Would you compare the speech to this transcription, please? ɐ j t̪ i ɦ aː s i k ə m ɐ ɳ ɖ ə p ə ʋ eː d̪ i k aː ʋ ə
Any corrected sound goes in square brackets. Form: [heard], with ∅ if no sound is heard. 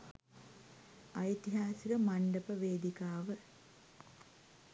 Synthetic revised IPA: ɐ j t̪ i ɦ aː s i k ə m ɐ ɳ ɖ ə p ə ʋ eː d̪ i k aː ʋ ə